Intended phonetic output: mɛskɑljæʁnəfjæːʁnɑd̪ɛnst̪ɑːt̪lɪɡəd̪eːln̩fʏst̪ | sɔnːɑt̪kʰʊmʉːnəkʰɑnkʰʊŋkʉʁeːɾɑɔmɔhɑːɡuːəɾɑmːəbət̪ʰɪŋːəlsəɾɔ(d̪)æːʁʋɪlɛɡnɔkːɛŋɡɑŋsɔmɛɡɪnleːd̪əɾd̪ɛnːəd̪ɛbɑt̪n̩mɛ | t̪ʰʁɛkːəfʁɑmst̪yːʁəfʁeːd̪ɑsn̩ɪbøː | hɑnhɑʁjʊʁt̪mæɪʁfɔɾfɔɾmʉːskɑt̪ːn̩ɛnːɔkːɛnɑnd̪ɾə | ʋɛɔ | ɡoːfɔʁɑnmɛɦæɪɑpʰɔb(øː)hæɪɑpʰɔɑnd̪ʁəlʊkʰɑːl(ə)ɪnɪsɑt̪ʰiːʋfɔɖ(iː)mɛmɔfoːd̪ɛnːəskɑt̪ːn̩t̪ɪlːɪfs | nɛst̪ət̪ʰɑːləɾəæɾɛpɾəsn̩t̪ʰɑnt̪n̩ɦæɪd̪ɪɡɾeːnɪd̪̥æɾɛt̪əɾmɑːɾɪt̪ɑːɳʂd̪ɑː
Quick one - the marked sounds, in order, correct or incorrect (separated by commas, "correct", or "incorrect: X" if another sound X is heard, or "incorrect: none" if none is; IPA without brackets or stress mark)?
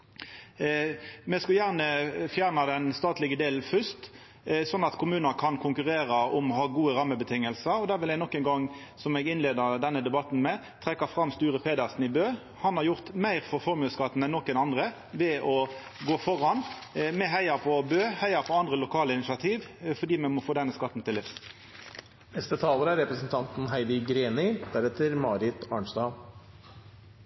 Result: correct, correct, correct, correct